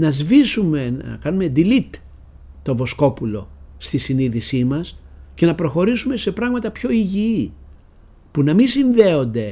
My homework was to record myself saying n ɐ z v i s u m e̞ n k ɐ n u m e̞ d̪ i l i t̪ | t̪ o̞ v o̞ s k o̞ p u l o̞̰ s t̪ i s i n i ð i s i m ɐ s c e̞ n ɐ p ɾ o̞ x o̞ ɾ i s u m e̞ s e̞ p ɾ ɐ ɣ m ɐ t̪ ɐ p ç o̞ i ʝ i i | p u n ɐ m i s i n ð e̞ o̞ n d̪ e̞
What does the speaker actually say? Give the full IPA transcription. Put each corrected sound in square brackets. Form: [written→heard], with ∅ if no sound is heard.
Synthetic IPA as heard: n ɐ z v i s u m e̞ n k ɐ n u m e̞ d̪ i l i t̪ | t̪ o̞ v o̞ s k o̞ p u l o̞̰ s t̪ i s i n i ð i s i m ɐ s c e̞ n ɐ p ɾ o̞ x o̞ ɾ i s u m e̞ s e̞ p ɾ ɐ ɣ m ɐ t̪ ɐ p ç o̞ i ʝ i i | p u n ɐ m i s i n ð e̞ o̞ n d̪ e̞